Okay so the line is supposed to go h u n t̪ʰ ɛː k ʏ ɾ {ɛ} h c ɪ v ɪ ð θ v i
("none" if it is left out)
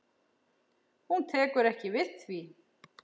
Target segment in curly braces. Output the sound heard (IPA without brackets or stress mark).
ɛ